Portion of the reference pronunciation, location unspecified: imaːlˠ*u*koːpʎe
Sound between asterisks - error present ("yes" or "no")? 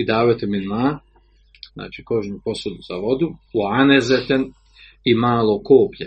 yes